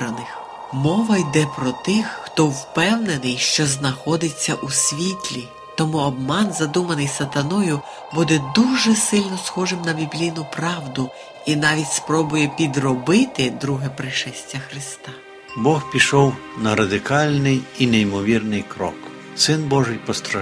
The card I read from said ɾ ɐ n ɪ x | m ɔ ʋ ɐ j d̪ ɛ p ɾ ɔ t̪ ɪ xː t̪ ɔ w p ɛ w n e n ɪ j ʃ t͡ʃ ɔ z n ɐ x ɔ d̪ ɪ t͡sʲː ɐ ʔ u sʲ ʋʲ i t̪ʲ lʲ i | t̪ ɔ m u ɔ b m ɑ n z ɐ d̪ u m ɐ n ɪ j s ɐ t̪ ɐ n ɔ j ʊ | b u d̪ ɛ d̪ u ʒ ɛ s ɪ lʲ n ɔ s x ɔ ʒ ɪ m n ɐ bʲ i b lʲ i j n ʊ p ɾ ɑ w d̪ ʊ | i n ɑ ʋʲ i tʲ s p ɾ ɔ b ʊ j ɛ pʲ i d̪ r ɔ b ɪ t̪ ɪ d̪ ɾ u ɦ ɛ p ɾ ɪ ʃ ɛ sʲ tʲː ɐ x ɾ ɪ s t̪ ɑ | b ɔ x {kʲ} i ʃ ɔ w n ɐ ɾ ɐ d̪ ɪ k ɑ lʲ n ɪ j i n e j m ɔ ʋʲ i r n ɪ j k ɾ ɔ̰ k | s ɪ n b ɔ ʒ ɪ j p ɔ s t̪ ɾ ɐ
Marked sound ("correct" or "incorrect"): incorrect